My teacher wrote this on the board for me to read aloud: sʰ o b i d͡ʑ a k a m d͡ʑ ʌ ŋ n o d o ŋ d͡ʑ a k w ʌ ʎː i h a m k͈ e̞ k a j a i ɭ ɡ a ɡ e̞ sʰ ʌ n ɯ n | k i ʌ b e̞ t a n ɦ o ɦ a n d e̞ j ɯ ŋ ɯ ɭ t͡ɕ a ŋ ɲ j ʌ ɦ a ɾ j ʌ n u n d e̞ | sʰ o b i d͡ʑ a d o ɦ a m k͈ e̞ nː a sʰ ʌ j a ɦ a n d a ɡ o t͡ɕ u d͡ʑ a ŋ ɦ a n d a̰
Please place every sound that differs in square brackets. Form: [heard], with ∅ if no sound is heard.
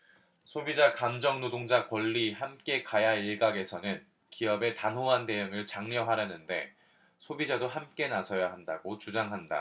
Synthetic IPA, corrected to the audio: sʰ o b i d͡ʑ a k a m d͡ʑ ʌ ŋ n o d o ŋ d͡ʑ a k w ʌ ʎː i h a m k͈ e̞ k a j a i ɭ ɡ a ɡ e̞ sʰ ʌ n ɯ n | k i ʌ b e̞ t a n ɦ o ɦ a n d e̞ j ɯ ŋ ɯ ɭ t͡ɕ a ŋ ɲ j ʌ ɦ a ɾ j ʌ n [ɯ] n d e̞ | sʰ o b i d͡ʑ a d o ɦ a m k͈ e̞ [n] a sʰ ʌ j a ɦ a n d a ɡ o t͡ɕ u d͡ʑ a ŋ ɦ a n d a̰